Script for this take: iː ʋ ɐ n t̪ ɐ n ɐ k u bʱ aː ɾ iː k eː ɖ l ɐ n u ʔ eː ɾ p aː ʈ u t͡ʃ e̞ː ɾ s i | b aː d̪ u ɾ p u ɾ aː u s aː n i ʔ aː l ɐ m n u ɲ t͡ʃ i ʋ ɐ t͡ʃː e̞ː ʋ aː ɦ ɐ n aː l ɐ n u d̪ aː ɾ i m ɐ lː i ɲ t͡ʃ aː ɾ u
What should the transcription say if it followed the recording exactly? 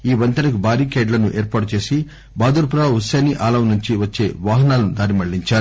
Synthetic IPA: iː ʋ ɐ n t̪ ɐ n ɐ k u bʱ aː ɾ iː k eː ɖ l ɐ n u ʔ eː ɾ p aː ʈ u t͡ʃ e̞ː s i | b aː d̪ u ɾ p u ɾ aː u s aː n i ʔ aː l ɐ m n u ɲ t͡ʃ i ʋ ɐ t͡ʃː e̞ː ʋ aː ɦ ɐ n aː l ɐ n u d̪ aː ɾ i m ɐ ɭː i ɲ t͡ʃ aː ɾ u